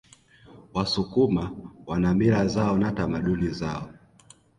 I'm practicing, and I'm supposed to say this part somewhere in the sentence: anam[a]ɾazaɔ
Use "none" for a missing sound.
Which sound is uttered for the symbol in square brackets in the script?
i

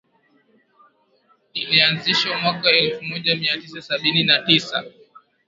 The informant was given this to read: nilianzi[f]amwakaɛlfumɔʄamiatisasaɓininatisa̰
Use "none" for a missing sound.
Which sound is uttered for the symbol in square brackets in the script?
ʃ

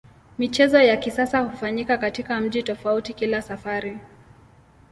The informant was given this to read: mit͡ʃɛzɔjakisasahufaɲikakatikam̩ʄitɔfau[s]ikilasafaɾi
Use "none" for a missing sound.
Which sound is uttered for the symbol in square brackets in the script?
t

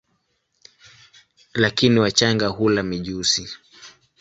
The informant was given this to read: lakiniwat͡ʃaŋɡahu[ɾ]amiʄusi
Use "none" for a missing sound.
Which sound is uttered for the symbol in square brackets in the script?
l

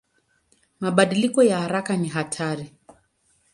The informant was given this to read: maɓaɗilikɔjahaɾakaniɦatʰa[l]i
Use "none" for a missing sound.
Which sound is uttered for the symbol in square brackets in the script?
ɾ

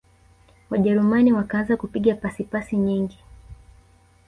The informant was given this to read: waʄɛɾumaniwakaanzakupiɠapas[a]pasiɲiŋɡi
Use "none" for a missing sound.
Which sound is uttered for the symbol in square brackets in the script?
i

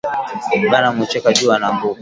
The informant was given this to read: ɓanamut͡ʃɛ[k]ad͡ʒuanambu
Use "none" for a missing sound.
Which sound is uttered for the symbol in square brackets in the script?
k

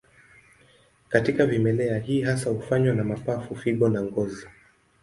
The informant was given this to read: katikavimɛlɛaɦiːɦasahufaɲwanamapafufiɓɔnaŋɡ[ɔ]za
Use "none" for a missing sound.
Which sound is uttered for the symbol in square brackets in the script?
ɔ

